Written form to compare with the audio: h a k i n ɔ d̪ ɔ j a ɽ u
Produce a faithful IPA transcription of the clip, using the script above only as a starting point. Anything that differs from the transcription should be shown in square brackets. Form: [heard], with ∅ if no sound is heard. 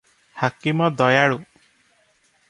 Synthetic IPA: h a k i [m] ɔ d̪ ɔ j a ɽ u